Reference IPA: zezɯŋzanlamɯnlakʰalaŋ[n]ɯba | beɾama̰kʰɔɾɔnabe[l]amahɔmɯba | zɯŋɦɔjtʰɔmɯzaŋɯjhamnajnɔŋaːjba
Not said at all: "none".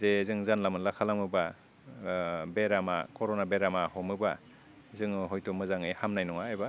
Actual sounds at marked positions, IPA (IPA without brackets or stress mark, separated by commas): m, ɾ